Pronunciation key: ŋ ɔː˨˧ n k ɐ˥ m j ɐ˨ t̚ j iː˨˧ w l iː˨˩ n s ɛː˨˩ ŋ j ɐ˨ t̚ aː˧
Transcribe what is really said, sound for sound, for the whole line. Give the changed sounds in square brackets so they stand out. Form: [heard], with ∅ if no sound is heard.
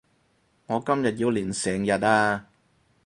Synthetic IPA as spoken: ŋ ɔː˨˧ [∅] k ɐ˥ m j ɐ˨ t̚ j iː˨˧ w l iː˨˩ n s ɛː˨˩ ŋ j ɐ˨ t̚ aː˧